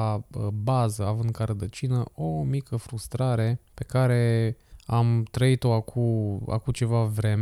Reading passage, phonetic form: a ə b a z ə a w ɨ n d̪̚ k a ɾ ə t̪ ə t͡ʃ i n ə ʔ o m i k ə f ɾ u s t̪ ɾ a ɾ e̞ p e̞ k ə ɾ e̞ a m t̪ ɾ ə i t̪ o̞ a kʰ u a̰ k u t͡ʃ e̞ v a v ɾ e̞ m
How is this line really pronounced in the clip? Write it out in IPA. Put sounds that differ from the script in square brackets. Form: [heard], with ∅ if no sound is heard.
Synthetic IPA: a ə b a z ə a [v] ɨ n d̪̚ k a ɾ ə [d̪] ə t͡ʃ i n ə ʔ o m i k ə f ɾ u s t̪ ɾ a ɾ e̞ p e̞ k [a] ɾ e̞ a m t̪ ɾ ə i t̪ o̞ a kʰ u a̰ k u t͡ʃ e̞ v a v ɾ e̞ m